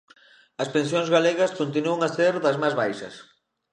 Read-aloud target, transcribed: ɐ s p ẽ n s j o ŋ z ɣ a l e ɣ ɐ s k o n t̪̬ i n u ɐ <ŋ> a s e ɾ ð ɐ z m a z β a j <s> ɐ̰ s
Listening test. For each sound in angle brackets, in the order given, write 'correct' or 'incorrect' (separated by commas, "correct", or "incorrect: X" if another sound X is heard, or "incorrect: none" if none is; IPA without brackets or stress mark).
correct, incorrect: ʃ